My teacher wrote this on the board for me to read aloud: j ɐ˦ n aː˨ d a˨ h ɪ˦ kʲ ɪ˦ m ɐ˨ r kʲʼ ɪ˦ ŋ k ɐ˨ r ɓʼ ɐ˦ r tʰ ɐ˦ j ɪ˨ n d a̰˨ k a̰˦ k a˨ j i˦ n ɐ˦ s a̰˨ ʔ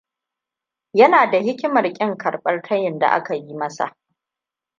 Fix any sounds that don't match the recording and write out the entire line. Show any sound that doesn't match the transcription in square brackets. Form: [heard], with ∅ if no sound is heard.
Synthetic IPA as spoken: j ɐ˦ n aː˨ d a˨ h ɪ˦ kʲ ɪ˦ m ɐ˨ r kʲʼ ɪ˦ ŋ k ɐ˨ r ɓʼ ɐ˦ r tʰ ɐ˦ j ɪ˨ n d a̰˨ [ʔ] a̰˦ k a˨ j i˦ [m] ɐ˦ s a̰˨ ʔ